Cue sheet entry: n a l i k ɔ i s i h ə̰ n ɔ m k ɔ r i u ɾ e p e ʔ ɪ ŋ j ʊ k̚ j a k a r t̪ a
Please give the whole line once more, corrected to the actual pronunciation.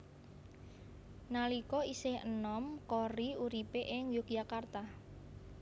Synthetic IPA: n a l i k ɔ i s ɪ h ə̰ n ɔ m k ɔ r i u ɾ i p e ʔ ɪ ŋ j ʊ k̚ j a k a r t̪ a